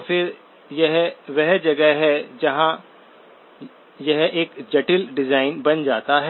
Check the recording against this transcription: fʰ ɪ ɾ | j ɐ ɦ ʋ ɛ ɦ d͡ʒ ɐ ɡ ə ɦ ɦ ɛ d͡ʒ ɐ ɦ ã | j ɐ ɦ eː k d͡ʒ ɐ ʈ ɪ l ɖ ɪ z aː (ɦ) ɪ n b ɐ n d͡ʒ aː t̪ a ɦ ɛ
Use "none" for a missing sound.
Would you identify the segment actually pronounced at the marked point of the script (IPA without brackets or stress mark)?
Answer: none